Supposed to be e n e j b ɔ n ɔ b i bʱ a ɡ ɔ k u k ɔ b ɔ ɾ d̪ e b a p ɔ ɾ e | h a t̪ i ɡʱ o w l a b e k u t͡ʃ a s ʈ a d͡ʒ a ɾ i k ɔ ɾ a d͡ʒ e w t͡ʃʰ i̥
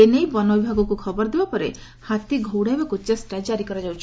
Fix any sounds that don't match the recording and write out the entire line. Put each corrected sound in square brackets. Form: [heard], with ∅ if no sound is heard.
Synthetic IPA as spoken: e n e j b ɔ n ɔ b i bʱ a ɡ ɔ k u [kʰ] ɔ b ɔ ɾ d̪ e b a p ɔ ɾ e | h a t̪ i ɡʱ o w [ɽ] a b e k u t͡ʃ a s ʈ a d͡ʒ a ɾ i k ɔ ɾ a d͡ʒ [a] w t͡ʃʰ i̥